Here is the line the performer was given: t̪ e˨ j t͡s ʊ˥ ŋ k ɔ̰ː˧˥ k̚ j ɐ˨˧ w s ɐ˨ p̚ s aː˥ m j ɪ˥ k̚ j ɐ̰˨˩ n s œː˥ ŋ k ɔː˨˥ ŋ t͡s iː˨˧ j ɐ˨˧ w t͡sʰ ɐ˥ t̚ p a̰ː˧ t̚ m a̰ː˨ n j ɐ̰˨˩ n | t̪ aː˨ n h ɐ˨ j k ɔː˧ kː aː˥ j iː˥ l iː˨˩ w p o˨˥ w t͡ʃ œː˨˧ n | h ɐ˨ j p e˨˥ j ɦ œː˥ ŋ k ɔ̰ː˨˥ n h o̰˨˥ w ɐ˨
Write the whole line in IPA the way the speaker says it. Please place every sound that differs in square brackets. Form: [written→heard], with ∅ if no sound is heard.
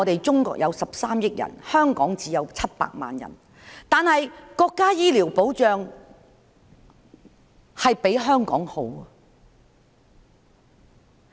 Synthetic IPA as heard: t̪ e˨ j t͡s ʊ˥ ŋ k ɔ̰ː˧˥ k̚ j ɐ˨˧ w s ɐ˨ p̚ s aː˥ m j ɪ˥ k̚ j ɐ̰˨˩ n [s→h] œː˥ ŋ k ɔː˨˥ ŋ t͡s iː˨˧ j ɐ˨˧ w t͡sʰ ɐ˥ t̚ p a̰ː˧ [t̚→k̚] m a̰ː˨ n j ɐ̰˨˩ n | t̪ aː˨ n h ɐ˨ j k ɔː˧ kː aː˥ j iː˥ l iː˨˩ w p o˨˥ w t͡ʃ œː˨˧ [n→ŋ] | h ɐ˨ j p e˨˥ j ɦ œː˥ ŋ k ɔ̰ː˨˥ [n→ŋ] h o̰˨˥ w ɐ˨